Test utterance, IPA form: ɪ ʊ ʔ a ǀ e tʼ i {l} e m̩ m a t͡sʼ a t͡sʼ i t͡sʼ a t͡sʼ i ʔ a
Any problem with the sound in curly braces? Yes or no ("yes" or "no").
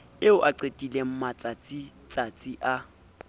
no